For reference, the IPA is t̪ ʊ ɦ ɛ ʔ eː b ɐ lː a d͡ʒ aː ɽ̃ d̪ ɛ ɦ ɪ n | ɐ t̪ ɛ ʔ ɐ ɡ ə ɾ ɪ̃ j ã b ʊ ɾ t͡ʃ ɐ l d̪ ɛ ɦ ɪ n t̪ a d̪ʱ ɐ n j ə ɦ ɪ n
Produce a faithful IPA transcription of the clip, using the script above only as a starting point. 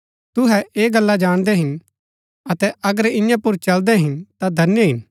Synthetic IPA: t̪ ʊ ɦ ɛ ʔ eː ɡ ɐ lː a d͡ʒ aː ɽ̃ d̪ ɛ ɦ ɪ n | ɐ t̪ ɛ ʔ ɐ ɡ ə ɾ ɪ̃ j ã p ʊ ɾ t͡ʃ ɐ l d̪ ɛ ɦ ɪ n t̪ a d̪ʱ ɐ n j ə ɦ ɪ n

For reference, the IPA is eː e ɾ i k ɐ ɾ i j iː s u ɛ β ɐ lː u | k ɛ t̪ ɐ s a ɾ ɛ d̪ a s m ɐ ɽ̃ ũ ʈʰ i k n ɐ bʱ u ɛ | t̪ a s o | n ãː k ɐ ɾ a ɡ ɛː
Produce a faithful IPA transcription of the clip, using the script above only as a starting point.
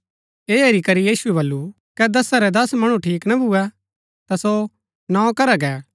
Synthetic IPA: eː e ɾ i k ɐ ɾ i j iː s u ɛ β ɐ lː u | k ɛ d̪ ɐ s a ɾ ɛ d̪ ɐ s m ɐ ɽ̃ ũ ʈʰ iː k n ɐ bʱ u ɛ | t̪ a s o | n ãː k ɐ ɾ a ɡ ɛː

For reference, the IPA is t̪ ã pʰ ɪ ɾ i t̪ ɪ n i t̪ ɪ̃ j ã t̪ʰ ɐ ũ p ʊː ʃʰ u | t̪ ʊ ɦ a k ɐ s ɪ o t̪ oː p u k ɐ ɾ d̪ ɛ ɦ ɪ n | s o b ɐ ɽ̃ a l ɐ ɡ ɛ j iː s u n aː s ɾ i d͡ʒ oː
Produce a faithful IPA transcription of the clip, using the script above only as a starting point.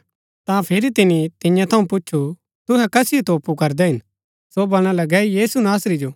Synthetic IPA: t̪ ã pʰ ɪ ɾ i t̪ ɪ n i t̪ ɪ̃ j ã t̪ʰ ɐ ũ p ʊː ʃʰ u | t̪ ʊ ɦ ɛ k ɐ s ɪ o t̪ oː p u k ɐ ɾ d̪ ɛ ɦ ɪ n | s o b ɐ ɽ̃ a l ɐ ɡ ɛ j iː s u n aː s ɾ i d͡ʒ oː

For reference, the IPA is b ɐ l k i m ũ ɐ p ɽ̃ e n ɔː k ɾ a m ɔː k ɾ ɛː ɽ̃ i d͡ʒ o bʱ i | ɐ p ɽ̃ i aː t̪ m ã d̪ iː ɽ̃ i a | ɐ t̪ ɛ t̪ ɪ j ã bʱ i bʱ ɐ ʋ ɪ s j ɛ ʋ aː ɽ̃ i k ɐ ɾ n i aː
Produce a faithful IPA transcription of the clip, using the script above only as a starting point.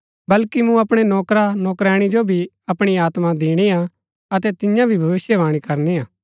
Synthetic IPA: b ɐ l k i m ũ ɐ p ɽ̃ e n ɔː k ɾ a n ɔː k ɾ ɛː ɽ̃ i d͡ʒ o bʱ i | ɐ p ɽ̃ i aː t̪ m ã d̪ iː ɽ̃ i a | ɐ t̪ ɛ t̪ ɪ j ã bʱ i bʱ ɐ ʋ ɪ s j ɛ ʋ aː ɽ̃ i k ɐ ɾ n i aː

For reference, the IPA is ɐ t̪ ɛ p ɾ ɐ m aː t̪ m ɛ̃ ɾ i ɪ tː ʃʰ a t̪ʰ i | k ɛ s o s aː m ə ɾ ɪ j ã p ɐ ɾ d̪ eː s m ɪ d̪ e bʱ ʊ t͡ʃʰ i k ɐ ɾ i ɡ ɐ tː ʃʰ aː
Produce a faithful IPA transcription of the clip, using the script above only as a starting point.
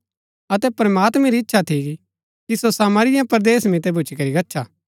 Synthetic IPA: ɐ t̪ ɛ p ɾ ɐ m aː t̪ m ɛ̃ ɾ i ɪ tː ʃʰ a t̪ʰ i | k i s o s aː m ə ɾ ɪ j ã p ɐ ɾ d̪ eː s m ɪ t̪ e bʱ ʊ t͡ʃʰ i k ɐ ɾ i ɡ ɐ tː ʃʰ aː

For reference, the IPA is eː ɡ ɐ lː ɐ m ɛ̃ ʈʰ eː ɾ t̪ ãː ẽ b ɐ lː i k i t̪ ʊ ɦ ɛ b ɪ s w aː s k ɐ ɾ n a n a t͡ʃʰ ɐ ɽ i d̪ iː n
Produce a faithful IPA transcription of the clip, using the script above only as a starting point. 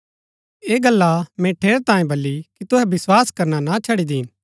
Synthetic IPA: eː ɡ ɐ lː a m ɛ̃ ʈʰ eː ɾ t̪ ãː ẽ b ɐ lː i k i t̪ ʊ ɦ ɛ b ɪ s w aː s k ɐ ɾ n a n a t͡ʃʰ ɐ ɽ i d̪ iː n

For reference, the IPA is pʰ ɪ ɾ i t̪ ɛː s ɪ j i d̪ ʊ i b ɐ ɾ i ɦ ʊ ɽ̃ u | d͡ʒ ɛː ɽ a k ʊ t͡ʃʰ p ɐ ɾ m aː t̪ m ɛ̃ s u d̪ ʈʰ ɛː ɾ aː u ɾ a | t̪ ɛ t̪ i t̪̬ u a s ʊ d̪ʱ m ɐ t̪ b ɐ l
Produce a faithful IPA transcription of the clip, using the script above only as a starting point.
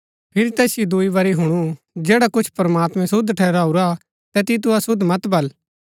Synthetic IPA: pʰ ɪ ɾ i t̪ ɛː s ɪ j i d̪ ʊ i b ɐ ɾ i ɦ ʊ ɽ̃ u | d͡ʒ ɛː ɽ a k ʊ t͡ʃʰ p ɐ ɾ m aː t̪ m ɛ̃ s ʊ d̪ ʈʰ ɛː ɾ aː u ɾ a | t̪ ɛ t̪ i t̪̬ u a s ʊ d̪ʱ m ɐ t̪ b ɐ l

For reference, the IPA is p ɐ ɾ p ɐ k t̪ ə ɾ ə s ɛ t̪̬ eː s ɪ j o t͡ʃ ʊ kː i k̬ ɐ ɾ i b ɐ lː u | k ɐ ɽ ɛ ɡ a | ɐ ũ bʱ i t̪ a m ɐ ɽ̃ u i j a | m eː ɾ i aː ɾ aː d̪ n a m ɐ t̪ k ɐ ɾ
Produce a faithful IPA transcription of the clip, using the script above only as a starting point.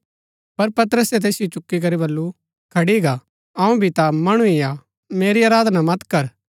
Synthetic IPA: p ɐ ɾ p ɐ t̪ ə ɾ ə s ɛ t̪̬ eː s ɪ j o t͡ʃ ʊ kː i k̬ ɐ ɾ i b ɐ lː u | kʰ ɐ ɽ i ɡ a | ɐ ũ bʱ i t̪ a m ɐ ɽ̃ u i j a | m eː ɾ i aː ɾ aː d̪ n a m ɐ t̪ k ɐ ɾ

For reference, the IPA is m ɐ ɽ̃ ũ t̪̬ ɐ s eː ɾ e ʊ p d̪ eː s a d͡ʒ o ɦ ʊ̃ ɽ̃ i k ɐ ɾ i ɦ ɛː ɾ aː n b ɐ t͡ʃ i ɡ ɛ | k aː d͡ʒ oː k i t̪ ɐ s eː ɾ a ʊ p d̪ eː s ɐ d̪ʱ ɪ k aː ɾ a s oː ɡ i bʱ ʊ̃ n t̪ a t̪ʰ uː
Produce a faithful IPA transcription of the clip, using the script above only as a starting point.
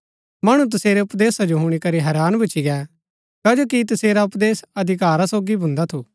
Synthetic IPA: m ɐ ɽ̃ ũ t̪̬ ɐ s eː ɾ e ʊ p d̪ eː s a d͡ʒ o ɦ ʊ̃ ɽ̃ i k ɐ ɾ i ɦ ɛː ɾ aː n b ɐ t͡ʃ i ɡ ɛ | k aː d͡ʒ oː k i t̪ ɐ s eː ɾ a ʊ p d̪ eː s ɐ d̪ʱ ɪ k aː ɾ a s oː ɡ i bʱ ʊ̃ n d̪ a t̪ʰ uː

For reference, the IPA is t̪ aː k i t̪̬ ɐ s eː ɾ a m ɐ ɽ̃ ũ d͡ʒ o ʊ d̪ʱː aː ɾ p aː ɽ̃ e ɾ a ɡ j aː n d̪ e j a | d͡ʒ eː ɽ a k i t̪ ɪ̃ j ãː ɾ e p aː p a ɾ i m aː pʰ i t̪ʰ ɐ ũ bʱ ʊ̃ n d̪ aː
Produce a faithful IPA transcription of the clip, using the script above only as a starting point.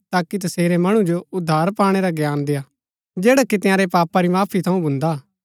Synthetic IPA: t̪ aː k i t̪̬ ɐ s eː ɾ e m ɐ ɽ̃ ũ d͡ʒ o ʊ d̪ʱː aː ɾ p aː ɽ̃ e ɾ a ɡ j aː n d̪ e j a | d͡ʒ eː ɽ a k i t̪ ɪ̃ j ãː ɾ e p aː p a ɾ i m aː pʰ i t̪ʰ ɐ ũ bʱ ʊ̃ n d̪ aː

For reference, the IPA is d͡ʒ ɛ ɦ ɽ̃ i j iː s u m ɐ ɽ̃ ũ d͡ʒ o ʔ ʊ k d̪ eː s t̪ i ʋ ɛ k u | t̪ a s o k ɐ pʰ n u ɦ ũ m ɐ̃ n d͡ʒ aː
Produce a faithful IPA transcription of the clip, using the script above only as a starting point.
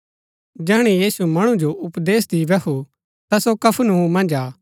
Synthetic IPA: d͡ʒ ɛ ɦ ɽ̃ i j iː s u m ɐ ɽ̃ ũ d͡ʒ o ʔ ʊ p d̪ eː s d̪ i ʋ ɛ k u | t̪ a s o k ɐ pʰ n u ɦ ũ m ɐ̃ n d͡ʒ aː

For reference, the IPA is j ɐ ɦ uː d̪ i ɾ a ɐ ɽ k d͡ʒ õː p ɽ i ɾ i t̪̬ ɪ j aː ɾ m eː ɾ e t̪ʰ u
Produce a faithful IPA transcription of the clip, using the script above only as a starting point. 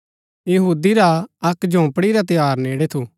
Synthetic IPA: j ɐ ɦ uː d̪ i ɾ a ɐ k d͡ʒ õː p ɽ i ɾ a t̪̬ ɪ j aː ɾ n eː ɽ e t̪ʰ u

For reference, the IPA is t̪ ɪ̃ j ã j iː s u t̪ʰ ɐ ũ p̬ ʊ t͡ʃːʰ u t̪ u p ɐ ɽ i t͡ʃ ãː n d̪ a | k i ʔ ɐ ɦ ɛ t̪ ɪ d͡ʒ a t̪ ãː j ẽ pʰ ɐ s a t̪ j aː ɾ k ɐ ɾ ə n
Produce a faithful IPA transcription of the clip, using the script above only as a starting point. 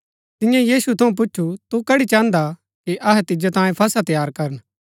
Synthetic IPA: t̪ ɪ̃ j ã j iː s u t̪ʰ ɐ ũ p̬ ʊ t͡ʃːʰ u t̪ u k ɐ ɽ i t͡ʃ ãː n d̪ a | k i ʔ ɐ ɦ ɛ t̪ ɪ d͡ʒ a t̪ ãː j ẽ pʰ ɐ s a t̪ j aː ɾ k ɐ ɾ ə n

